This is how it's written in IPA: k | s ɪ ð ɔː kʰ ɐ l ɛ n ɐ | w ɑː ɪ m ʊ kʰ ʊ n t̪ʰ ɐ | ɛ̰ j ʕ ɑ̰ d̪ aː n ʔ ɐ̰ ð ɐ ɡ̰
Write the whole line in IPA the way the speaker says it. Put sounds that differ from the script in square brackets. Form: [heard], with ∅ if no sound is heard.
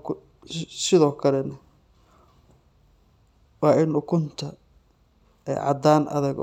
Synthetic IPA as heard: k | s ɪ ð ɔː kʰ ɐ l ɛ n ɐ | w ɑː ɪ [n] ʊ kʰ ʊ n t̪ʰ ɐ | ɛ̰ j ʕ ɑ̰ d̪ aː n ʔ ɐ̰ ð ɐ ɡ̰